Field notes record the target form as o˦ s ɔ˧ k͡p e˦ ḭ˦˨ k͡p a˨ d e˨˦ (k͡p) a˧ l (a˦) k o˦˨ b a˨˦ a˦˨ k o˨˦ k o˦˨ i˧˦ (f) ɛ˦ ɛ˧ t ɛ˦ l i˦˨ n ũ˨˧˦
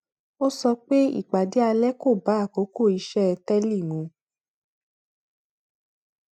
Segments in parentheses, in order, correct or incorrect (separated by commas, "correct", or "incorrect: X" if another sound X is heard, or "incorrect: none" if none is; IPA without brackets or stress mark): incorrect: none, incorrect: ɛ˦, incorrect: ʃ